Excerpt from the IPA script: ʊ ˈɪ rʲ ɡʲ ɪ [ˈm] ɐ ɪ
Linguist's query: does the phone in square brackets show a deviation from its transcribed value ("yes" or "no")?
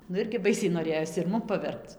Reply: yes